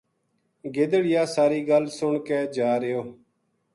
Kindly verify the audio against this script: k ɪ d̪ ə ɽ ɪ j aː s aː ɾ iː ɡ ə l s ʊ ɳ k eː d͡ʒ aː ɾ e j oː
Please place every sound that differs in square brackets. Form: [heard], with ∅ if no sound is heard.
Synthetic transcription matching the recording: [ɡ] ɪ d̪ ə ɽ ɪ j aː s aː ɾ iː ɡ ə l s ʊ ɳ k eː d͡ʒ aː ɾ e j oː